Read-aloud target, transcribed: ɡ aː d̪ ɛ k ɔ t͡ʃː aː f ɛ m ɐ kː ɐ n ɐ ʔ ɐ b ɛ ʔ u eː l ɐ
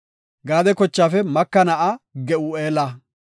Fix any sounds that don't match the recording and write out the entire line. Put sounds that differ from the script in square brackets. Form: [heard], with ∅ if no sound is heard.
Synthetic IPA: ɡ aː d̪ ɛ k ɔ t͡ʃː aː f ɛ m ɐ kː ɐ n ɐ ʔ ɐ [ɡ] ɛ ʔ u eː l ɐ